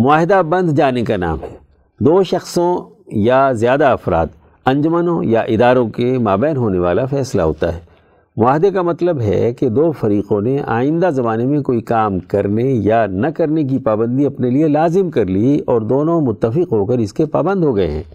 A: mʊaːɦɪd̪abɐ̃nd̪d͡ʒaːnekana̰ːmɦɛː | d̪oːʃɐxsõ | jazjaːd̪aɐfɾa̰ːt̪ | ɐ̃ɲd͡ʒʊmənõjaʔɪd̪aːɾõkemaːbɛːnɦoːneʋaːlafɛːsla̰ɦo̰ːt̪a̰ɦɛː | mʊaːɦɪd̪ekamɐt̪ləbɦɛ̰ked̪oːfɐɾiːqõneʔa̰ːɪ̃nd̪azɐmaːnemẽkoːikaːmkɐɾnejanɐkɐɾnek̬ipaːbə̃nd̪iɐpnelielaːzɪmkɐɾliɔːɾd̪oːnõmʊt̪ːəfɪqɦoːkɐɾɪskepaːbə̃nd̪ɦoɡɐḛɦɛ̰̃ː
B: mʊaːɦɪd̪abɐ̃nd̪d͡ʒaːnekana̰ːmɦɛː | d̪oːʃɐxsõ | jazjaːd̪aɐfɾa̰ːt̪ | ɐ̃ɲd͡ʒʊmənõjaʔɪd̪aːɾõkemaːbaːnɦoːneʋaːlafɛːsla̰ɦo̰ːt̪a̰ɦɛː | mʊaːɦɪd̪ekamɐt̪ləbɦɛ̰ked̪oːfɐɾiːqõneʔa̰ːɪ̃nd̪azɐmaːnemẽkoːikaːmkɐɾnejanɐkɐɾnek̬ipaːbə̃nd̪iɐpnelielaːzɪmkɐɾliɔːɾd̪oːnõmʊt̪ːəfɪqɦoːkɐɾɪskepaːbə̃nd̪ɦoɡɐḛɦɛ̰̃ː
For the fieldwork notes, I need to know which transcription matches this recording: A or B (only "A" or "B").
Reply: A